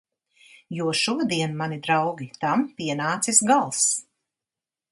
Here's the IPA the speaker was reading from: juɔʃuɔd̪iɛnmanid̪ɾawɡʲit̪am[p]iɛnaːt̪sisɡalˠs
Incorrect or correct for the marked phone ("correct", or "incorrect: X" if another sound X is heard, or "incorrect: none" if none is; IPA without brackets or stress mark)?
correct